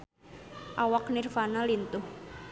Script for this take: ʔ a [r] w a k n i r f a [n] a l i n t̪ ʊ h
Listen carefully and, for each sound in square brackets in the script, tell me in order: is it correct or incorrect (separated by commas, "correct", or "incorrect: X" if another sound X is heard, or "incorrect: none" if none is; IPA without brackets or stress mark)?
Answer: incorrect: none, correct